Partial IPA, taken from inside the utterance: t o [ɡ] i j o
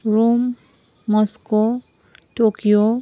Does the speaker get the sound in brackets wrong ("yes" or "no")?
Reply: yes